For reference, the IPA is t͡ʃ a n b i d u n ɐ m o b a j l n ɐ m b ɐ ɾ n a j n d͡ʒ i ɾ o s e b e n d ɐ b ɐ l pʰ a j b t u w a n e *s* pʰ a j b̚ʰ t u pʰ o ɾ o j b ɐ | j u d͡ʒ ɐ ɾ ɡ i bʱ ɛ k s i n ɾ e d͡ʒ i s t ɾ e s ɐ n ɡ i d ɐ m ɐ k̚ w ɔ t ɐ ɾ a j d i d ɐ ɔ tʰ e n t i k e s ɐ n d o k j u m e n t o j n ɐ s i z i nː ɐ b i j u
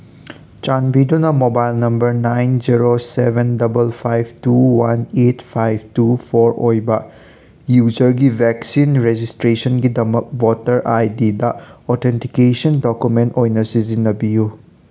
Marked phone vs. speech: incorrect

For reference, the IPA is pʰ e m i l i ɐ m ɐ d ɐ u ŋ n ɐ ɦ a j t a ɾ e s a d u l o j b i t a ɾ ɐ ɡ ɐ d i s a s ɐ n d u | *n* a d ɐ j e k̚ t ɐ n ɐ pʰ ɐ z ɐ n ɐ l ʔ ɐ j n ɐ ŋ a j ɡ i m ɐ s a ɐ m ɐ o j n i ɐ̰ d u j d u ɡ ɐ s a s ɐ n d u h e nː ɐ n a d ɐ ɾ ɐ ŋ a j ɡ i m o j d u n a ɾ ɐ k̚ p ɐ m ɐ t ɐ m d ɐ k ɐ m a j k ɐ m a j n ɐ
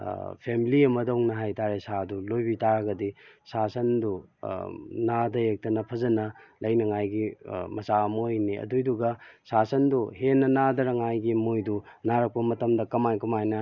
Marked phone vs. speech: correct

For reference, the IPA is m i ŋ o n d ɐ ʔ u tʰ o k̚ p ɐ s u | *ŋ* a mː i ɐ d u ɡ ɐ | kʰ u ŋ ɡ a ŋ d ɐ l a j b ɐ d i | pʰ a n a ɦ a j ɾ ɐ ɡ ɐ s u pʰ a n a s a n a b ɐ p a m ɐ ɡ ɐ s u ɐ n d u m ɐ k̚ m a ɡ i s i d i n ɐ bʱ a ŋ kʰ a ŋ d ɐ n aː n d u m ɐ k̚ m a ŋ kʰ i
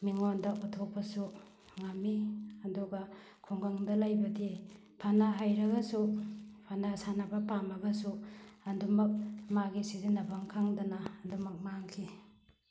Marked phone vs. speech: correct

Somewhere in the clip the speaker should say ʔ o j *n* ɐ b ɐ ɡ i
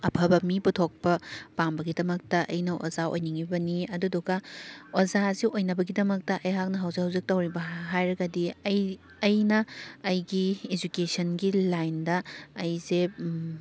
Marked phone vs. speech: correct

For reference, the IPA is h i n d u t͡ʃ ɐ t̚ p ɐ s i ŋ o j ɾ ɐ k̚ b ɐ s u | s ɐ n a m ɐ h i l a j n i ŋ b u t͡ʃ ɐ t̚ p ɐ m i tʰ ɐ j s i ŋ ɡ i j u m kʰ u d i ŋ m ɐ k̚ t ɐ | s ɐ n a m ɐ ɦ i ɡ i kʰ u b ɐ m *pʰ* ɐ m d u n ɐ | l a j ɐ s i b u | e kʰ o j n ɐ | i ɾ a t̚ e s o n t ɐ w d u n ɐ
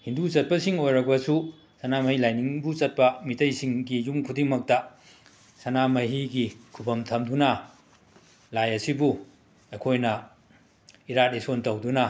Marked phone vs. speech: incorrect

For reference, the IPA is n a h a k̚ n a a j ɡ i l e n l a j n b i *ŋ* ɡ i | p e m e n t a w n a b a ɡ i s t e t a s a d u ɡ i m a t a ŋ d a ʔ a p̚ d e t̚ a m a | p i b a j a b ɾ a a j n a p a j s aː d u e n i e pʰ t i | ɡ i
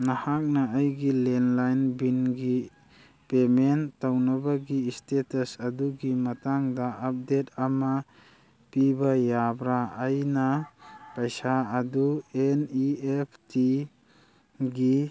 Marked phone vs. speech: incorrect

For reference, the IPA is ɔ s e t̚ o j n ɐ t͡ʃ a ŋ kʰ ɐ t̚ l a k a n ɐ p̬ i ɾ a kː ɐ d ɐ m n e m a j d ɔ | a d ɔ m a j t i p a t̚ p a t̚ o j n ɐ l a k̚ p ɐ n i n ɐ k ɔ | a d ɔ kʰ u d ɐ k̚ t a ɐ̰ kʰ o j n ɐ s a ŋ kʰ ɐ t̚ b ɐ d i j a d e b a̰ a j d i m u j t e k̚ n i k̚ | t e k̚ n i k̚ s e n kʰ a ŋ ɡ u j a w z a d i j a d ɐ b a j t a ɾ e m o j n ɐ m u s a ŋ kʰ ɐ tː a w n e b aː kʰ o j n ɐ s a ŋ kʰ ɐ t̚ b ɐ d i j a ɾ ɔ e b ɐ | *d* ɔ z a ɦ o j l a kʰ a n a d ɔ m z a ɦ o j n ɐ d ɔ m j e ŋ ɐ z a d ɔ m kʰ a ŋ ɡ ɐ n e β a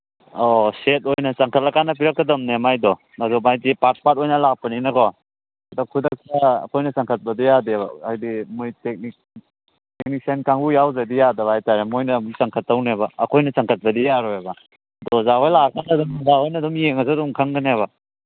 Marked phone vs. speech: correct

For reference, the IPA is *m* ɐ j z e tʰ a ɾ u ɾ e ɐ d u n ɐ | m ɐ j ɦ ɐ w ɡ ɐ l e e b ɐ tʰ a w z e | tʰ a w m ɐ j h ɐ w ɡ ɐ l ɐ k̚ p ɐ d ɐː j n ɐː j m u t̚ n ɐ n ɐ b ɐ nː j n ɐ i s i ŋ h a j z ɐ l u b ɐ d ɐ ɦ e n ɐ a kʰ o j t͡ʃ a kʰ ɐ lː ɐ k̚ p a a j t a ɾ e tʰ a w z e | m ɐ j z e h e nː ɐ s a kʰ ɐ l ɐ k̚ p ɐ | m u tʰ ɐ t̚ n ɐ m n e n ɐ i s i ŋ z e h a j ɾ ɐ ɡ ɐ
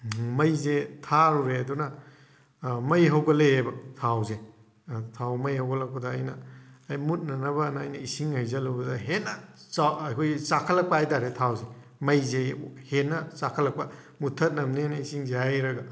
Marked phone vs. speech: correct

